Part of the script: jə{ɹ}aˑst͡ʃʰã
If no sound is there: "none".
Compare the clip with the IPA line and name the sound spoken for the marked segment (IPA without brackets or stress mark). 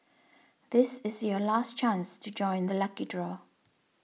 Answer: l